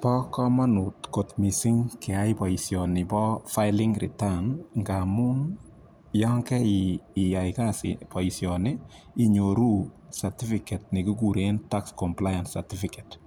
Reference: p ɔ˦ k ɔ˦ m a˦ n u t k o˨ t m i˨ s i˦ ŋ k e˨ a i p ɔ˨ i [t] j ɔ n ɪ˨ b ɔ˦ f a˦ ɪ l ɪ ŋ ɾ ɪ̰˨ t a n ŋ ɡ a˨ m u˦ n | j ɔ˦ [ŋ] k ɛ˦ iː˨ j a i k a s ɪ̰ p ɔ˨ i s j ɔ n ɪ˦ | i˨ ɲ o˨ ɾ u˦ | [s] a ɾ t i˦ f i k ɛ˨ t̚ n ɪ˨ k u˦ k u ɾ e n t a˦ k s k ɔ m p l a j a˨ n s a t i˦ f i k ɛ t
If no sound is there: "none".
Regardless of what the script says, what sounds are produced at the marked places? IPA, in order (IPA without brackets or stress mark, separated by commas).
s, ŋ, s